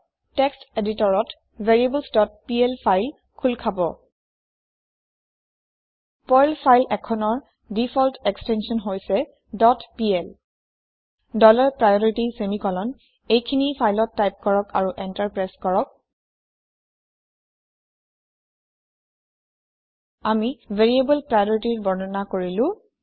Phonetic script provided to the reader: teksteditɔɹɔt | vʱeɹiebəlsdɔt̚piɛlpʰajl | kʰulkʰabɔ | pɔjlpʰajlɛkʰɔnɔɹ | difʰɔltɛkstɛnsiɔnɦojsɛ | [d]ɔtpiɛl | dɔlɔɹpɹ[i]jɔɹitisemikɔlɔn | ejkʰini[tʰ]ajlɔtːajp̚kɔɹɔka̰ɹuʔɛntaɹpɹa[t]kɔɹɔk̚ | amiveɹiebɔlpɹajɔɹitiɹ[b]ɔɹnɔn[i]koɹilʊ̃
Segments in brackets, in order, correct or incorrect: correct, incorrect, incorrect, incorrect, correct, incorrect

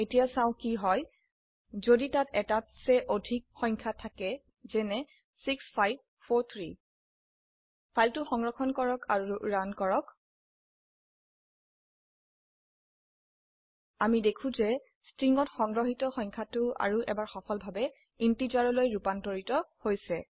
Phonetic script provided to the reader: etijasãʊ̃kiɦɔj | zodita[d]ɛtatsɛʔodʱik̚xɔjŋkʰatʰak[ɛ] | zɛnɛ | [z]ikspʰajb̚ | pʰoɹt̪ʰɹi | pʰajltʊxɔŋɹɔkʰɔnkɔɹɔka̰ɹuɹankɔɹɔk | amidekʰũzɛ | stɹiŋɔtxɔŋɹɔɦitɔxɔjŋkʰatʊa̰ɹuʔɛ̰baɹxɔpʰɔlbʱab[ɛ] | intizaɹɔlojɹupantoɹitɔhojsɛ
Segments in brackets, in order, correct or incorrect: incorrect, correct, incorrect, correct

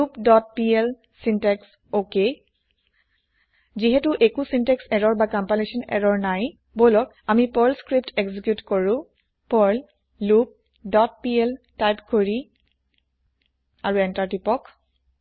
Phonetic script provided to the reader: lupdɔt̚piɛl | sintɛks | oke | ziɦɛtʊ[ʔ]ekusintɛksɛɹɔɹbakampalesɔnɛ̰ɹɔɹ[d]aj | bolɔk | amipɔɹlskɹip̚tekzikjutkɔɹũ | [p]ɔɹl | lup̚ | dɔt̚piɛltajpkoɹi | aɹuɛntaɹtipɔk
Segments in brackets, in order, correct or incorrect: correct, incorrect, correct

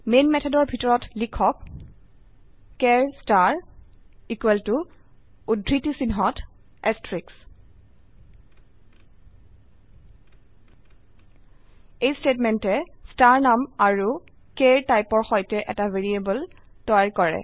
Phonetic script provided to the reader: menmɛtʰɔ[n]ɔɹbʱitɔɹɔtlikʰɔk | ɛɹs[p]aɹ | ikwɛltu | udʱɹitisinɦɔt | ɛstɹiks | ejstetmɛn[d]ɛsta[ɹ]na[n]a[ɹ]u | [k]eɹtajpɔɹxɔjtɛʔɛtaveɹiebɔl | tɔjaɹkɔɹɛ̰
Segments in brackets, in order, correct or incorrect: incorrect, incorrect, incorrect, correct, incorrect, correct, correct

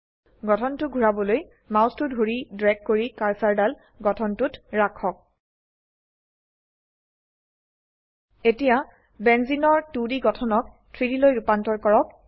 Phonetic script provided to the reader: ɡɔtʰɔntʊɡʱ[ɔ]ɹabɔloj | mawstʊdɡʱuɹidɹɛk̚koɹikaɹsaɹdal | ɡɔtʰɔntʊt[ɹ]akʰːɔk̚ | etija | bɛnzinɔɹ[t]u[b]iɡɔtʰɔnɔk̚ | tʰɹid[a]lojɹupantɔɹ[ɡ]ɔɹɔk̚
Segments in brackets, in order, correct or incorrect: incorrect, correct, correct, incorrect, incorrect, incorrect

